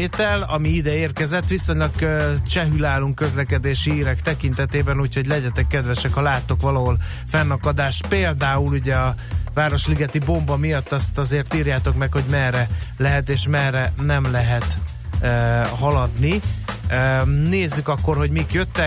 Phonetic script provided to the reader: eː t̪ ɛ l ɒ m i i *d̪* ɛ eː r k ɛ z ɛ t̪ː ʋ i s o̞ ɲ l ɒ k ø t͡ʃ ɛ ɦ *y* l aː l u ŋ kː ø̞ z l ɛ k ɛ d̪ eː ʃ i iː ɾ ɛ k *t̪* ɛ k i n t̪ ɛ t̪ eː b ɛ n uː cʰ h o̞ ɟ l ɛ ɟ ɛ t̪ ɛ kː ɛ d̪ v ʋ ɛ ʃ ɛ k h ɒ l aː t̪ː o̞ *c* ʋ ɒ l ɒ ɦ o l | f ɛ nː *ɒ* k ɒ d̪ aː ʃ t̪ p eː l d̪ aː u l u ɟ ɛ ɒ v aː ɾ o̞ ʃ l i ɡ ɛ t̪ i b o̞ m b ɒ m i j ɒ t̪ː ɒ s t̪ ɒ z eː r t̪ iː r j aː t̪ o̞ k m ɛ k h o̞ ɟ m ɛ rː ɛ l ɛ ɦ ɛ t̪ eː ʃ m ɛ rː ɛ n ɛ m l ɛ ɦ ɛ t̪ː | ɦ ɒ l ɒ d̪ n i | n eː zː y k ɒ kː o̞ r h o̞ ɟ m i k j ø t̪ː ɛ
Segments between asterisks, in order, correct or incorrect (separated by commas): correct, correct, correct, incorrect, correct